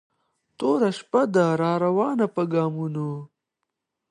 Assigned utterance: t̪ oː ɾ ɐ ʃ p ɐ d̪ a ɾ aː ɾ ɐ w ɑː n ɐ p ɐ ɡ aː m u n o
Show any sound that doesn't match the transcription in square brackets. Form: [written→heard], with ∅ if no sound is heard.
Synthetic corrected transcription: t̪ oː ɾ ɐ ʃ p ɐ d̪ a ɾ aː ɾ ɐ w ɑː n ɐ p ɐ ɡ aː m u n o